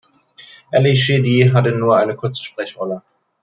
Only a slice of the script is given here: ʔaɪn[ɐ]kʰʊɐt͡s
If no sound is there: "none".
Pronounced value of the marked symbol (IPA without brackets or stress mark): ə